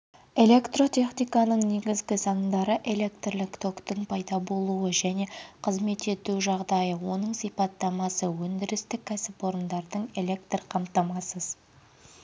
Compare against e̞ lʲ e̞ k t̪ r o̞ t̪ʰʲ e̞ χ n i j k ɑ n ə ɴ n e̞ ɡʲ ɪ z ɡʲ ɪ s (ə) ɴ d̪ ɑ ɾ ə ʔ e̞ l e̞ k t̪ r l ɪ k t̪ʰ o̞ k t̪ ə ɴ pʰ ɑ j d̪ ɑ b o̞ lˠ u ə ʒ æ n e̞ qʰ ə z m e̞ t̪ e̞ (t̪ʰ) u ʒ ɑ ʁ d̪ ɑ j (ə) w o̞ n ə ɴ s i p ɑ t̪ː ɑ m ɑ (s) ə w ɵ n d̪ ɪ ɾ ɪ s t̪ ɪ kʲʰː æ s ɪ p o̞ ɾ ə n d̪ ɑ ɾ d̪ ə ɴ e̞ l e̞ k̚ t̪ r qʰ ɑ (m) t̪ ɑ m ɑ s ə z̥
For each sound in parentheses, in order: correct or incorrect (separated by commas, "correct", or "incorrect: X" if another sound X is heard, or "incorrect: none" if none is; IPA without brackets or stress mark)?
incorrect: ɑ, incorrect: t̪, correct, correct, correct